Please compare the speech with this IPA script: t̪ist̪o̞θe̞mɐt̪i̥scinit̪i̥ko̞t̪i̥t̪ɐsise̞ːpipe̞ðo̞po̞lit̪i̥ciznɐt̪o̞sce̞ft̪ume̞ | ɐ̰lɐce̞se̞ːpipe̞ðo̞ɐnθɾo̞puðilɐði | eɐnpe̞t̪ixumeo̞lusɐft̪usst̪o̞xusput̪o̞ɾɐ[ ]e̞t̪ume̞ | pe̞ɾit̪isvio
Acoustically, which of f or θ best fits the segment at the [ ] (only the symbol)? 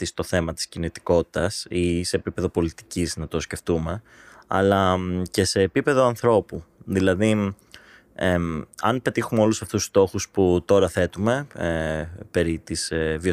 θ